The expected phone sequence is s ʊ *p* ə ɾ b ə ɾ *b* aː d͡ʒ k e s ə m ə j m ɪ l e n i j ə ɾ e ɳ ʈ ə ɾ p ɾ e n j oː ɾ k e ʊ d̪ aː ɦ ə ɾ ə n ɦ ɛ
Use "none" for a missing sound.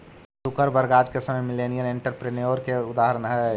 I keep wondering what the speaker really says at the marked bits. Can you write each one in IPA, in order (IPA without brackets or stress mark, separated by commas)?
k, ɡ